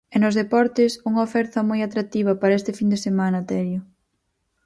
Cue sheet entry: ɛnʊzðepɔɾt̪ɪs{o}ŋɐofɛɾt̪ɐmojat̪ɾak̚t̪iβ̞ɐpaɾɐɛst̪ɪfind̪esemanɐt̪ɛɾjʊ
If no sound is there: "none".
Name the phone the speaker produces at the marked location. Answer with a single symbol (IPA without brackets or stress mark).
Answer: u